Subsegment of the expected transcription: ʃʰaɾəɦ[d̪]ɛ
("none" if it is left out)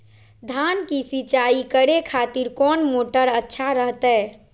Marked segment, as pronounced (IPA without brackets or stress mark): t̪